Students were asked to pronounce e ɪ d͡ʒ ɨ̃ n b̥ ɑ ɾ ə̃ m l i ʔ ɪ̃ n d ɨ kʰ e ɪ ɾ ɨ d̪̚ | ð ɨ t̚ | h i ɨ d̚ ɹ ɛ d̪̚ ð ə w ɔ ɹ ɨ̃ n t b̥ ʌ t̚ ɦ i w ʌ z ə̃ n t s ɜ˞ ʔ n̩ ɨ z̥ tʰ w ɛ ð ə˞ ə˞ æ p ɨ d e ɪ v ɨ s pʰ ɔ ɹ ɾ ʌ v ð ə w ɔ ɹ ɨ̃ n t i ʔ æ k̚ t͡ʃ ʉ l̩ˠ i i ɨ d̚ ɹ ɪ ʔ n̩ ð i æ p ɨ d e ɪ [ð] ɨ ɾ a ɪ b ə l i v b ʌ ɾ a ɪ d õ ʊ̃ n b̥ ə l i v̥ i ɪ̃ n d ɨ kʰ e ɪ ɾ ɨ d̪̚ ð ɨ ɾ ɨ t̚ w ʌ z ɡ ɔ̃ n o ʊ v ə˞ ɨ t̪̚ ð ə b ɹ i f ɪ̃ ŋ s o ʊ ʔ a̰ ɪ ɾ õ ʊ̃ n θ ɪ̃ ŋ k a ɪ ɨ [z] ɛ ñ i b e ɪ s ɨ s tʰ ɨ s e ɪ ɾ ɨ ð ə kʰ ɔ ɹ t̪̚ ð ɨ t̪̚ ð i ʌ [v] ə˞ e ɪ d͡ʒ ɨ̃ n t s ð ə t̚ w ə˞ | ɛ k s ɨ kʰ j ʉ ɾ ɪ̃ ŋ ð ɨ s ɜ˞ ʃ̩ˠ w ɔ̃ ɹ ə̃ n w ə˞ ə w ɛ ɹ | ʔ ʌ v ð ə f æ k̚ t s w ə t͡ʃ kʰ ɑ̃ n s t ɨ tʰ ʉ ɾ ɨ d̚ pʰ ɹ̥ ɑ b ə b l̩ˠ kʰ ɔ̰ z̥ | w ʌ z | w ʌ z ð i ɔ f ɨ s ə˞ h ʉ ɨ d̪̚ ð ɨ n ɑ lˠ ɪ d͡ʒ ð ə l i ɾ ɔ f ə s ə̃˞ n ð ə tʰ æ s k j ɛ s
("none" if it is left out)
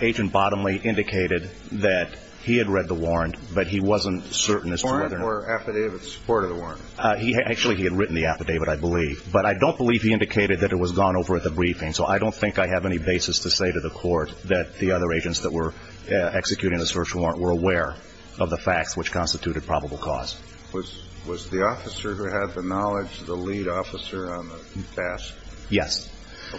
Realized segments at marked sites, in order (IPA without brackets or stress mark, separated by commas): v, v, ð